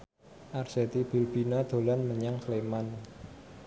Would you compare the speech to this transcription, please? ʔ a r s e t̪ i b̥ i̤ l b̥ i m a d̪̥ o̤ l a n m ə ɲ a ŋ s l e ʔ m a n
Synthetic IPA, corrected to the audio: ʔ a r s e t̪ i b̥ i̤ l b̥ i n a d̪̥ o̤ l a n m ə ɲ a ŋ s l e m a n